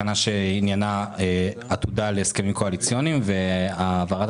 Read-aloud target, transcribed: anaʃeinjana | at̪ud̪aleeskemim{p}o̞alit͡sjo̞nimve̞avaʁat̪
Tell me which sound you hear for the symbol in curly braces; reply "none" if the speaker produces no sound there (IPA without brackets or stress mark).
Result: k